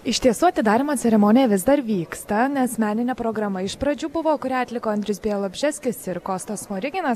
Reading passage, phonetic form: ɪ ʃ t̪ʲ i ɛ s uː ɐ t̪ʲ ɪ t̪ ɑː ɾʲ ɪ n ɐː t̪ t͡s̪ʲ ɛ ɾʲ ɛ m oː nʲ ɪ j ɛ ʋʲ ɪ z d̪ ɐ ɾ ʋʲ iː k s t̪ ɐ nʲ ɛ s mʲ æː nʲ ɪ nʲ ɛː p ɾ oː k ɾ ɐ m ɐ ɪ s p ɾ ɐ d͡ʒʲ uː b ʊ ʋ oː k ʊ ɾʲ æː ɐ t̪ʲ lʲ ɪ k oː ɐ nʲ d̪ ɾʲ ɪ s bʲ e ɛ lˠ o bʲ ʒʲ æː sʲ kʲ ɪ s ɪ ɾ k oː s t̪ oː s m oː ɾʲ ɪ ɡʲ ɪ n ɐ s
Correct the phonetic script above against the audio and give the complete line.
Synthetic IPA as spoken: ɪ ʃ t̪ʲ i ɛ s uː ɐ t̪ʲ ɪ d̪ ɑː ɾʲ ɪ m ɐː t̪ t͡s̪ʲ ɛ ɾʲ ɛ m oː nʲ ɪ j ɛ ʋʲ ɪ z d̪ ɐ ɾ ʋʲ iː k s t̪ ɐ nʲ ɛ s mʲ æː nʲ ɪ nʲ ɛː p ɾ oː ɡ ɾ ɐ m ɐ ɪ ʃ p ɾ ɐ d͡ʒʲ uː b ʊ ʋ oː k ʊ ɾʲ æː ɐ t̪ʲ lʲ ɪ k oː ɐ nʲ d̪ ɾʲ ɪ s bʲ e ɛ lˠ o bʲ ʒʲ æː sʲ kʲ ɪ s ɪ ɾ k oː s t̪ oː s m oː ɾʲ ɪ ɡʲ ɪ n ɐ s